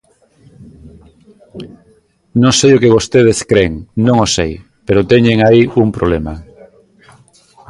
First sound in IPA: n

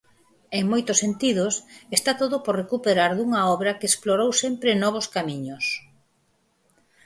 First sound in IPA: e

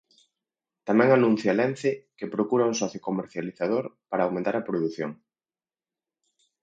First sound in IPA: t̪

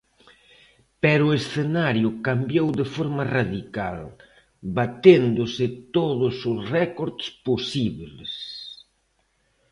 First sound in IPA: p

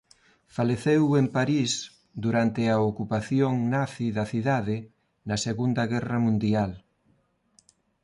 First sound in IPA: f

